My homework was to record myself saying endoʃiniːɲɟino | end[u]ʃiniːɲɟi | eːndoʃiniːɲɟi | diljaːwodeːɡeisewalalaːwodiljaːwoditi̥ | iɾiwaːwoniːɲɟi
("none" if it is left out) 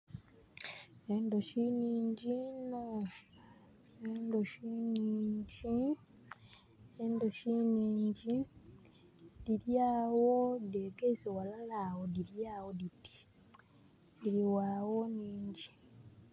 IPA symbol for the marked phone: o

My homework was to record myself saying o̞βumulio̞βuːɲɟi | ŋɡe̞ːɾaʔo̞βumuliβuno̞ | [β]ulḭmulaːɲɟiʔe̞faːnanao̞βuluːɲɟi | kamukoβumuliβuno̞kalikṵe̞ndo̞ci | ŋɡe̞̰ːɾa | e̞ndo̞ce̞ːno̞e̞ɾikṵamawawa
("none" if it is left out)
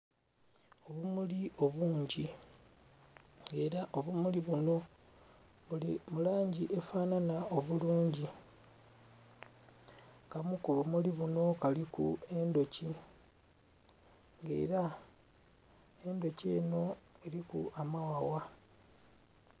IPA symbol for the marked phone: β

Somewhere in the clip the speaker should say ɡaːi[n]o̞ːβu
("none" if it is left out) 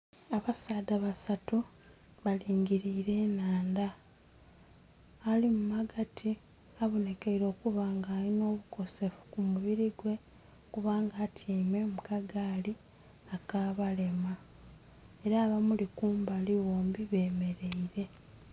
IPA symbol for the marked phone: n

